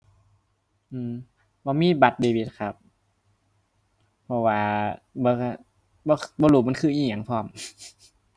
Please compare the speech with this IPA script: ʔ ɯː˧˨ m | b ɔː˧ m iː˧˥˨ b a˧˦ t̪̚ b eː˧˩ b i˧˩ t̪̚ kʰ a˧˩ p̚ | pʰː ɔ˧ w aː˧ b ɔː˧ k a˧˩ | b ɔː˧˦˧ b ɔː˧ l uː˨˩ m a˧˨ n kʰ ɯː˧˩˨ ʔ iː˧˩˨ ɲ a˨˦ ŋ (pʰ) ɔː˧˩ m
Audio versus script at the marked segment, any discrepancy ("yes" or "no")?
no